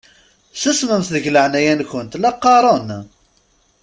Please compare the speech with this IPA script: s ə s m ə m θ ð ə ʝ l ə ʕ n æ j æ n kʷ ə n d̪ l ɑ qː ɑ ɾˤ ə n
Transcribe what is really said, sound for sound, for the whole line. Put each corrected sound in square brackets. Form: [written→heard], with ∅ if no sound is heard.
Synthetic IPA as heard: s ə s m ə m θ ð ə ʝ l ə ʕ n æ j æ n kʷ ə n [d̪→t̪] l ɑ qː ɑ ɾˤ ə n